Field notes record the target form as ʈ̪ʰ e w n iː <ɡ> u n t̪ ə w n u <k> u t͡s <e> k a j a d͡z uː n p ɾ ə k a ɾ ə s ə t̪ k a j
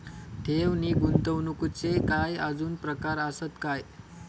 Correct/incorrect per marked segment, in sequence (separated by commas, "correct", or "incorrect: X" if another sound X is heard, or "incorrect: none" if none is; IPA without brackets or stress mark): correct, correct, correct